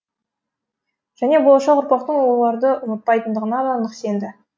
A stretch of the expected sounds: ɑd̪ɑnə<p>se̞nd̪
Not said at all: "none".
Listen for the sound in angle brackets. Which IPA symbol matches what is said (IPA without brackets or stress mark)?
q